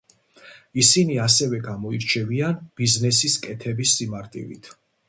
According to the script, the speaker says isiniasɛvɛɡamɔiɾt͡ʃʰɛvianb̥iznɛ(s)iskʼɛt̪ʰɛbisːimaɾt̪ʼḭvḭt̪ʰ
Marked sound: correct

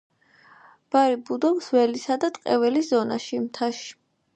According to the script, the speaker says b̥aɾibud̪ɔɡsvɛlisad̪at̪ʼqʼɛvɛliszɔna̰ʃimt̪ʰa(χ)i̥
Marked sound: incorrect: ʃ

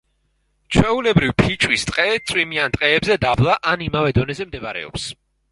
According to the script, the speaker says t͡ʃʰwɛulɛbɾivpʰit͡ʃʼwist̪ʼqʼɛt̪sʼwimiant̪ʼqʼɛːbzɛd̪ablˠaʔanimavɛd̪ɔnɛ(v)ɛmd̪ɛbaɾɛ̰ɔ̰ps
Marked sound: incorrect: z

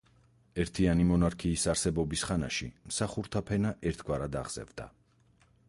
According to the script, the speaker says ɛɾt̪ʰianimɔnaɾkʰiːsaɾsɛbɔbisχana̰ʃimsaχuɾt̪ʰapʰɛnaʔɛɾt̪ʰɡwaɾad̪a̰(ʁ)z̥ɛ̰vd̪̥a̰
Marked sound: correct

